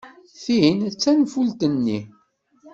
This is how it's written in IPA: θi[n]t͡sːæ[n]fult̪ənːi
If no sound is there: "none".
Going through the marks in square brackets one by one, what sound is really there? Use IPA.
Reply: n, n

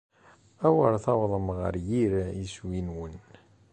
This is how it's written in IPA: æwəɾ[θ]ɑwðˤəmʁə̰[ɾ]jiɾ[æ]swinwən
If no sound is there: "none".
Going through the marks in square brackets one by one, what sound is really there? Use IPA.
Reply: θ, ɾ, i

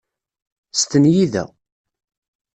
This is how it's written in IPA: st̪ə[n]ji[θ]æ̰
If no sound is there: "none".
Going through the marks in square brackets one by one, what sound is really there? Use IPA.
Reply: n, ð

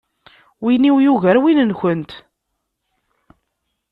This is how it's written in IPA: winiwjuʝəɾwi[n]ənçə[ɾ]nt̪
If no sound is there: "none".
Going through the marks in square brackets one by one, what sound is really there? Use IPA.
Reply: n, none

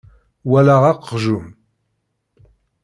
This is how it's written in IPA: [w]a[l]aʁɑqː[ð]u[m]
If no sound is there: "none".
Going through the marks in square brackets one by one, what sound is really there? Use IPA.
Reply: w, l, ʒ, m

